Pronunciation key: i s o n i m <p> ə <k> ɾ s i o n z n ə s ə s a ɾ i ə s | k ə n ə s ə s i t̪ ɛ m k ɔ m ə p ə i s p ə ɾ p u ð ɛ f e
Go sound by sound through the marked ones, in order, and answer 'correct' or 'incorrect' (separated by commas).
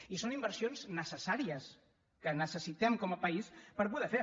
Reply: incorrect, incorrect